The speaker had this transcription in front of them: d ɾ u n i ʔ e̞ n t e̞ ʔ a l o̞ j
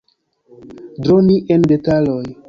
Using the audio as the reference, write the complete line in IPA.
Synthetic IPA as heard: d ɾ o n i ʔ e̞ n d e̞ t a l o̞ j